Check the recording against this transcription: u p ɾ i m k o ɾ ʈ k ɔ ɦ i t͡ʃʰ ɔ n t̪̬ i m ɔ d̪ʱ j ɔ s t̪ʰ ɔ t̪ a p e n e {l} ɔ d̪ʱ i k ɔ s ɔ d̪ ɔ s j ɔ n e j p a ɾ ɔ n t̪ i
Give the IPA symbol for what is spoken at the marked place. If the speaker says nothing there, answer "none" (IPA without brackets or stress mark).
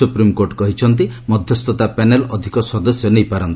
l